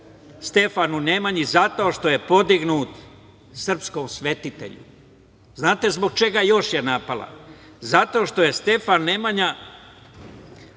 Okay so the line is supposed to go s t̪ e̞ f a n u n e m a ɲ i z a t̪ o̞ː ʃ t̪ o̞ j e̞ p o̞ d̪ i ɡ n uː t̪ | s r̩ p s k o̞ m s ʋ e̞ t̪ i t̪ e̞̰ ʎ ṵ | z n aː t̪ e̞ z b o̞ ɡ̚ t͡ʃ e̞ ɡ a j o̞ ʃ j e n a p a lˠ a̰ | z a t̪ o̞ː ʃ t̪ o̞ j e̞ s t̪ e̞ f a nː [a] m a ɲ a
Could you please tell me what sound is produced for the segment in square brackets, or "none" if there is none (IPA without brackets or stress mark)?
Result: e